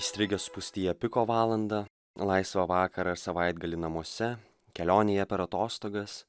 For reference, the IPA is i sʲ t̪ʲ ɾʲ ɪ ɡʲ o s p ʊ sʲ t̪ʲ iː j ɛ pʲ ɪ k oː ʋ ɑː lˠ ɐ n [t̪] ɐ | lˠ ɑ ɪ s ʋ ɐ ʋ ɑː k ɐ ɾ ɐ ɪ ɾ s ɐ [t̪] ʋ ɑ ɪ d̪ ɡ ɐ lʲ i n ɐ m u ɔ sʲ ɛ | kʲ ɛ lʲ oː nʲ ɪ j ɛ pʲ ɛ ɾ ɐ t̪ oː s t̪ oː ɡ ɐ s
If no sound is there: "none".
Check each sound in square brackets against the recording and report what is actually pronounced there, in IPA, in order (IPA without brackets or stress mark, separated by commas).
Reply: d̪, none